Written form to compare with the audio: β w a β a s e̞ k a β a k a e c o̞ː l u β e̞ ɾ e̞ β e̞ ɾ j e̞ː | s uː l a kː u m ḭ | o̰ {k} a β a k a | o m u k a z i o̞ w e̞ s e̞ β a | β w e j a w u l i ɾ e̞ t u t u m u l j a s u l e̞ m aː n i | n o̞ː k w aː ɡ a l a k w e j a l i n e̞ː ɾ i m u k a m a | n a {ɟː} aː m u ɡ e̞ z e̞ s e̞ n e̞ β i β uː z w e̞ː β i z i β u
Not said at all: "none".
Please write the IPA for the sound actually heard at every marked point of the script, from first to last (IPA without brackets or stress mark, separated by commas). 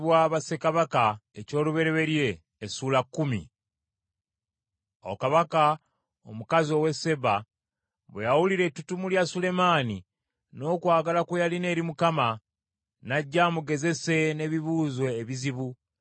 k, ɟː